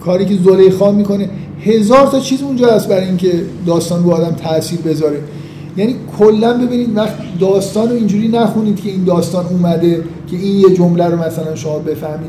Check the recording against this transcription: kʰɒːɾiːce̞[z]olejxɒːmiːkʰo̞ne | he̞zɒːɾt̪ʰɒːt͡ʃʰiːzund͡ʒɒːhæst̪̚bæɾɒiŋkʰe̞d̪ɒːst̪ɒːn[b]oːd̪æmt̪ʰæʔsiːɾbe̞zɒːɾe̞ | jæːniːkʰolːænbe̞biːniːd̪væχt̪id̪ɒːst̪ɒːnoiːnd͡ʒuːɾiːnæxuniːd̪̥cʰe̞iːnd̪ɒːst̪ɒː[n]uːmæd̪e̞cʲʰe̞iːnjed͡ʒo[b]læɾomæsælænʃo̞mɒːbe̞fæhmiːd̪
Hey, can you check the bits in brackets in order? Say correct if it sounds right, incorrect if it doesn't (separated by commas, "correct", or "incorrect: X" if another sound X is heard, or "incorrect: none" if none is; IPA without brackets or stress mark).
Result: correct, correct, correct, incorrect: m